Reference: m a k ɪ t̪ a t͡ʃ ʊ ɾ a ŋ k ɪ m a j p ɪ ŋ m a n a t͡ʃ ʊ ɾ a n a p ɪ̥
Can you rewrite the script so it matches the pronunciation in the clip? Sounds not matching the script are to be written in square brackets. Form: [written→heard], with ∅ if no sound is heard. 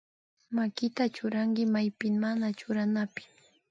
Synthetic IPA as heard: m a k ɪ t̪ a t͡ʃ ʊ ɾ a ŋ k ɪ m a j p ɪ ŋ m a n a t͡ʃ ʊ ɾ a n a p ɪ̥